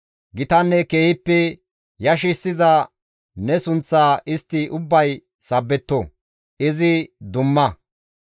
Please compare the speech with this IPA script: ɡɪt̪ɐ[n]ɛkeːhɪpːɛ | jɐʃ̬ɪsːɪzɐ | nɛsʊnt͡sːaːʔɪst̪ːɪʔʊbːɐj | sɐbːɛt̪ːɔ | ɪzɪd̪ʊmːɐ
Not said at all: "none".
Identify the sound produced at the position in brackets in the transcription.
nː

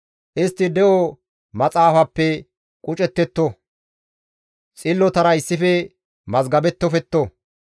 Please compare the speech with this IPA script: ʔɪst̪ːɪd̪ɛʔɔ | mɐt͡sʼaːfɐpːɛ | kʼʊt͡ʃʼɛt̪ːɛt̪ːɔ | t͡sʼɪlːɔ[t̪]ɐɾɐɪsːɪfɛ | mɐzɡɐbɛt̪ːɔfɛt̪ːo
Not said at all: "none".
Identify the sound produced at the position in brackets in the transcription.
t̪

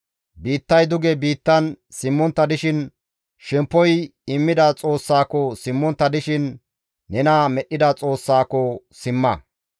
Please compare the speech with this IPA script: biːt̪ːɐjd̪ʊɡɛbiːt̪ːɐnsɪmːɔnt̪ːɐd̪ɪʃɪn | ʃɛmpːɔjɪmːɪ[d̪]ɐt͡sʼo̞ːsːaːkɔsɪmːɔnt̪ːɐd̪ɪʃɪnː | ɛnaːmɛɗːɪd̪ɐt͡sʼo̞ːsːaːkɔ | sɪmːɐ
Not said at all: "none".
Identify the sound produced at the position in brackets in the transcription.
d̪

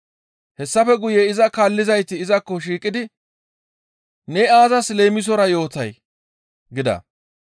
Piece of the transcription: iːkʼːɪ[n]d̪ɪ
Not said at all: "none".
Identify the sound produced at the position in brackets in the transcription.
none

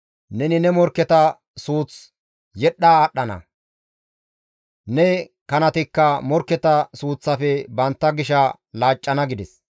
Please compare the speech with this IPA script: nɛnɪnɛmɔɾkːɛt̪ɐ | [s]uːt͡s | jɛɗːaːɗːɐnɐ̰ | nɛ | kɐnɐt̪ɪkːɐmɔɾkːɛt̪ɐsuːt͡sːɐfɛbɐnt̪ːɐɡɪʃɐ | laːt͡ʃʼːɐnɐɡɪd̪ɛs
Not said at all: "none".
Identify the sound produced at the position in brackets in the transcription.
s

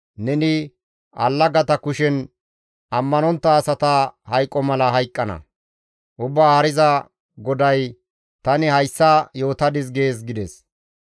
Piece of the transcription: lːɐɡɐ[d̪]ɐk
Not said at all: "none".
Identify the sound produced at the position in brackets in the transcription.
t̪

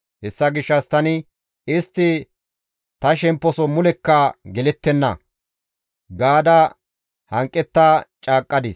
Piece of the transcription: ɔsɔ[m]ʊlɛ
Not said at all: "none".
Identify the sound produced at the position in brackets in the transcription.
m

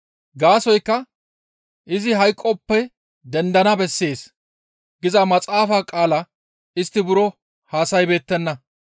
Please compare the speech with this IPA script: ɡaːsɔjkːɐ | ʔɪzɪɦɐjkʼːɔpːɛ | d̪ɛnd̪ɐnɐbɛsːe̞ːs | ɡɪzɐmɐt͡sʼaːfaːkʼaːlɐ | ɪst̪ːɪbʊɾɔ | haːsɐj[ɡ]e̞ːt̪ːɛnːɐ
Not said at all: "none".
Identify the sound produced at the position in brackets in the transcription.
b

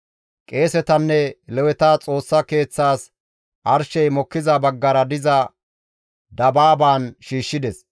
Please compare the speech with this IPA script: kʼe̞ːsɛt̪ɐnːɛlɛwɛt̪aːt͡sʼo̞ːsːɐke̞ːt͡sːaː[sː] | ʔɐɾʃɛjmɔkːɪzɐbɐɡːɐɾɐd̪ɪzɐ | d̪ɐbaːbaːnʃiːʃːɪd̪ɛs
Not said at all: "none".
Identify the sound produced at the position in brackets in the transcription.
s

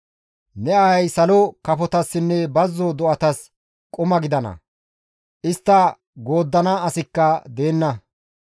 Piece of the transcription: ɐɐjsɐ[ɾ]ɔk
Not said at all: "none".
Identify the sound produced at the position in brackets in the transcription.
l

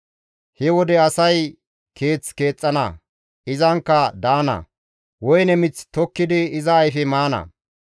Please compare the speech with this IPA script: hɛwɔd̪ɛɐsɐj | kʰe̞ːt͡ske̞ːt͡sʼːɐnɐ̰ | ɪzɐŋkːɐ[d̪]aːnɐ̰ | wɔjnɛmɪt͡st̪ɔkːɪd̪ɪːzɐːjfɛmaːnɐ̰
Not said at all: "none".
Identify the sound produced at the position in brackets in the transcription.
d̪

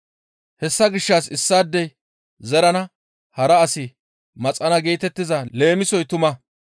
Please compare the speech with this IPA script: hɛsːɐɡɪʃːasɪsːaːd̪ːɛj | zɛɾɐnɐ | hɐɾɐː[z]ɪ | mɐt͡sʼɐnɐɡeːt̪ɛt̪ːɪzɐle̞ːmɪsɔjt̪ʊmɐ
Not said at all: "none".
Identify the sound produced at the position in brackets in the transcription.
s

